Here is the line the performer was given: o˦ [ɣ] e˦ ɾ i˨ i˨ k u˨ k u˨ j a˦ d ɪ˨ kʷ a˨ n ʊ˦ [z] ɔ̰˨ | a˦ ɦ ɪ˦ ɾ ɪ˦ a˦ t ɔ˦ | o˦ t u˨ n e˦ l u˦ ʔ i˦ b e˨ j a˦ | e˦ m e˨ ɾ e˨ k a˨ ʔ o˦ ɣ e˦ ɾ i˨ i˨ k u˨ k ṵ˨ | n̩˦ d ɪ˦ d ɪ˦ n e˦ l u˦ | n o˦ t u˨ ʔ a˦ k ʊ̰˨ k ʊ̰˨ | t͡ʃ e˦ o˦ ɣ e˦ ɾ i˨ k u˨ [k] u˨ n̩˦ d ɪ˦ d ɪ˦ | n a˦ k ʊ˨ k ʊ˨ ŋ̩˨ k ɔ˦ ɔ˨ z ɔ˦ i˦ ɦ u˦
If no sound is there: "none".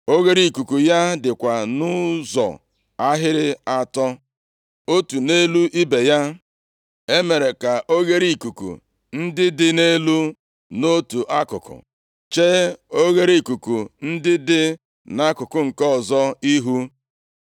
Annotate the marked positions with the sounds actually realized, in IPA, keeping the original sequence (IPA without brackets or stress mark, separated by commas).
ɣ, z, k